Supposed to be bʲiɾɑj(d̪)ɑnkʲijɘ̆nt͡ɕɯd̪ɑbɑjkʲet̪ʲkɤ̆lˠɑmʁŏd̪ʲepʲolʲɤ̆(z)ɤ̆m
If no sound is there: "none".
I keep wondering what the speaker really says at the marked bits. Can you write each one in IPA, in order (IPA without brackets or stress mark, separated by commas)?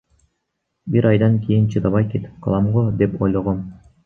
d̪, ʁ